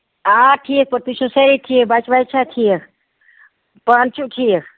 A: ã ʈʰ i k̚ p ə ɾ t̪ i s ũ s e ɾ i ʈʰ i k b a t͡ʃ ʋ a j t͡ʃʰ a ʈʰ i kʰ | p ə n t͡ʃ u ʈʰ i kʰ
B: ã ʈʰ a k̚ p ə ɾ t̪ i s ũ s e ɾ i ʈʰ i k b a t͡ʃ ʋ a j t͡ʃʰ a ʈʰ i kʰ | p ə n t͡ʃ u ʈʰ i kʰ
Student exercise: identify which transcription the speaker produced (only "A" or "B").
A